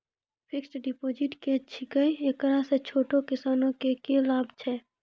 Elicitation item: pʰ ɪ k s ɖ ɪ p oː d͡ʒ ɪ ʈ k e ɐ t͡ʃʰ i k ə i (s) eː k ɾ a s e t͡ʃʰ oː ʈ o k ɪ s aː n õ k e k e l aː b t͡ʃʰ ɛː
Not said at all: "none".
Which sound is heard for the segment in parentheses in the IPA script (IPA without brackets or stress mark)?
none